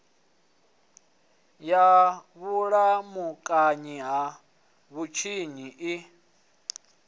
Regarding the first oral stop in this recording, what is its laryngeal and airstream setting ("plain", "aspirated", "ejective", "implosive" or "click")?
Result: ejective